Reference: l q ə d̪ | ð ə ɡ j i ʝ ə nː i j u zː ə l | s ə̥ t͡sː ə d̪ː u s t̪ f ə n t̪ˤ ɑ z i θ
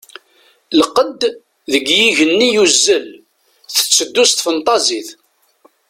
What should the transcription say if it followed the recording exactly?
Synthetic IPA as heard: l q ə d̪ | ð ə ɡ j i ʝ ə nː i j u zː ə l | θ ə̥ t͡sː ə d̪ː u s t̪ f ə n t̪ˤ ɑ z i θ